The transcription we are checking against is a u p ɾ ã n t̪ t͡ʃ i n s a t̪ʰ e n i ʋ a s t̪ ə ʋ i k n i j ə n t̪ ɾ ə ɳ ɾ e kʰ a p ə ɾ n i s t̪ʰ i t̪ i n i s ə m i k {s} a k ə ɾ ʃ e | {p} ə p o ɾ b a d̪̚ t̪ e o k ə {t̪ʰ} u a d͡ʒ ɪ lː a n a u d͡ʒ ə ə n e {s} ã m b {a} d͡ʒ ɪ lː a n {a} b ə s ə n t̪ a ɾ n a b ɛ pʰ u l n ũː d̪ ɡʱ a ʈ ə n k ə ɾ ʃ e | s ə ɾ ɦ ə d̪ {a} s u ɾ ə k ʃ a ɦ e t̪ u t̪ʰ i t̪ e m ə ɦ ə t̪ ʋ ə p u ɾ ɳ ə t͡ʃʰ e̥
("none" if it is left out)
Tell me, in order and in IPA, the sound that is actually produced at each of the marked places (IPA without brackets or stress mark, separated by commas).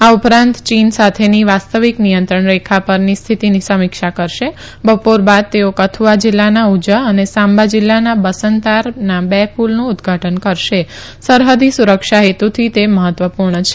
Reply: ʃ, b, t̪ʰ, s, a, a, i